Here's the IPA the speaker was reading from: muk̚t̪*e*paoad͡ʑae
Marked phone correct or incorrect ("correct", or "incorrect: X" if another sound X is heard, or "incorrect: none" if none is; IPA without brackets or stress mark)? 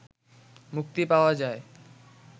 incorrect: i